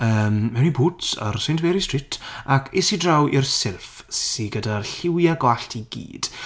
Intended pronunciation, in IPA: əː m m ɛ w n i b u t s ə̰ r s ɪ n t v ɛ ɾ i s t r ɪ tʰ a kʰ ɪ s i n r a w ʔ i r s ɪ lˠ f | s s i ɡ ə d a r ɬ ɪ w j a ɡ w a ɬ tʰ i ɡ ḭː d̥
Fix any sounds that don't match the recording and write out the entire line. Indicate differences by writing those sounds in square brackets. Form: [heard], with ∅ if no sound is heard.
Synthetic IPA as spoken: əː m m ɛ w n i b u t s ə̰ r s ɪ n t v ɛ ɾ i s t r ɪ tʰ a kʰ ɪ s i [d] r a w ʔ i r s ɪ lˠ f | s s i ɡ ə d a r ɬ ɪ w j a ɡ w a ɬ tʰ i ɡ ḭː d̥